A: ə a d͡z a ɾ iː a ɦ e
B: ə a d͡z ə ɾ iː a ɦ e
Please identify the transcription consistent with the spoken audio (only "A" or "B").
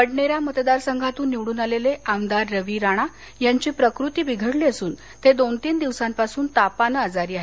A